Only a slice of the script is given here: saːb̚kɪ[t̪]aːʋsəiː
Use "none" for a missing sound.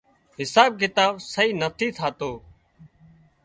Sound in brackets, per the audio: t̪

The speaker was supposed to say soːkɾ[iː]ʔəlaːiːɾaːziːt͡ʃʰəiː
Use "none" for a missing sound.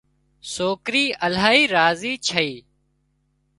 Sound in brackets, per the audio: iː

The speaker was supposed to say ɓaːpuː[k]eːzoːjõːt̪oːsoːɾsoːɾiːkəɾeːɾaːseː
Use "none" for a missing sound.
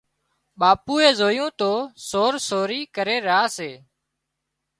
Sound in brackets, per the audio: none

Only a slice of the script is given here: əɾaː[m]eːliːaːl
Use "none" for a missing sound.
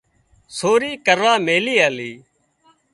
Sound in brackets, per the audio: m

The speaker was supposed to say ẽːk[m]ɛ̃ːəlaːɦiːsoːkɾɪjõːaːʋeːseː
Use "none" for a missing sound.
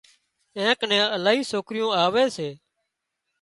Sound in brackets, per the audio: n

